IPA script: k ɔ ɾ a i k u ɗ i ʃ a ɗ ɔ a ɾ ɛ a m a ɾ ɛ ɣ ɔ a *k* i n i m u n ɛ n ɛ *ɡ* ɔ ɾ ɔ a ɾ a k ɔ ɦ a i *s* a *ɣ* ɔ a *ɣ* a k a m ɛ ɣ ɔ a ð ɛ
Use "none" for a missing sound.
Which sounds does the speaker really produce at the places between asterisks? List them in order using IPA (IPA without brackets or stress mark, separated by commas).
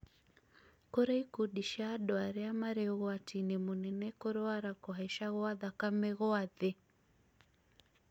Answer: t, k, ʃ, ɣ, ð